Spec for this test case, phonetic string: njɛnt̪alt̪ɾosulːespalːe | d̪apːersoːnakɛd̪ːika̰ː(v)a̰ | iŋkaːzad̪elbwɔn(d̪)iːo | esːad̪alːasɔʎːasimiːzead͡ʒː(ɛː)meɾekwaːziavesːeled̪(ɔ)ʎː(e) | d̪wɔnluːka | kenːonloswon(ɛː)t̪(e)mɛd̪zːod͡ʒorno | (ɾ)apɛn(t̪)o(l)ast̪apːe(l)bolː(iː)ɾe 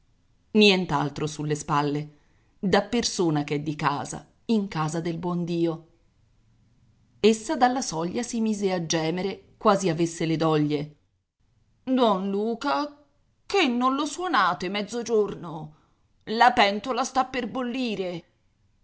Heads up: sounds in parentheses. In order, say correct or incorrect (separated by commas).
incorrect, correct, correct, correct, correct, incorrect, correct, incorrect, correct, correct, incorrect, correct